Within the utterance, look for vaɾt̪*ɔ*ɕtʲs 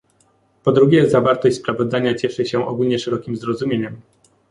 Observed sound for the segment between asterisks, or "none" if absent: ɔ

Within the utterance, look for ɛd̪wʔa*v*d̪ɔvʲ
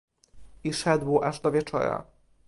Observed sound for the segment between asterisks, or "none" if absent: ʐ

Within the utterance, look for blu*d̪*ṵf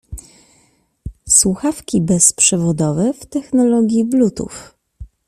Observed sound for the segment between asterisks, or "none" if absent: t̪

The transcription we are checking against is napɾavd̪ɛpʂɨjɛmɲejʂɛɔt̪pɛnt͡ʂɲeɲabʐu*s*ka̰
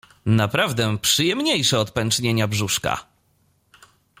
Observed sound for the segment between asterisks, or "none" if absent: ʂ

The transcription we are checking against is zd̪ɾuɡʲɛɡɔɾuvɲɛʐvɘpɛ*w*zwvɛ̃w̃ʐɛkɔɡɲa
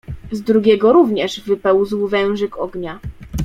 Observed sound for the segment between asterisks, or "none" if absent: w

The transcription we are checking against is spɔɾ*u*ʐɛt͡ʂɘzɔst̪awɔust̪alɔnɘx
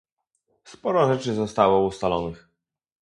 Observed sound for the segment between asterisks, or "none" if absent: ɔ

